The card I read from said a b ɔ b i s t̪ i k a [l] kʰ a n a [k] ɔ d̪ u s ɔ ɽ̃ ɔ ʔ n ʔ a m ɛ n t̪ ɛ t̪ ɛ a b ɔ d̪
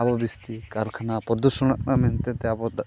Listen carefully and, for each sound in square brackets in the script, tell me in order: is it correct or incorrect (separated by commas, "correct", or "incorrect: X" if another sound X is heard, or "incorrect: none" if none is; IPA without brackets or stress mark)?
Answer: incorrect: ɾ, incorrect: p